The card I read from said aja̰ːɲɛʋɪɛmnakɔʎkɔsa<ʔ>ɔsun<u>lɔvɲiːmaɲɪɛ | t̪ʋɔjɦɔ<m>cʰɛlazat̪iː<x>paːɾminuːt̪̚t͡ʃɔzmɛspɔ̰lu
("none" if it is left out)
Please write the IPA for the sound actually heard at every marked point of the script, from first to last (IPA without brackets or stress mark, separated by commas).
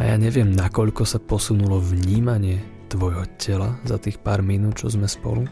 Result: p, u, none, x